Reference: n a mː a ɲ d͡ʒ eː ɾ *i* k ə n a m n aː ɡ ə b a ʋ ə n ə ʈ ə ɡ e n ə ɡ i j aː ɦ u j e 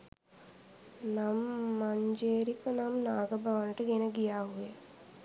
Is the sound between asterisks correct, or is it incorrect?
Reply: correct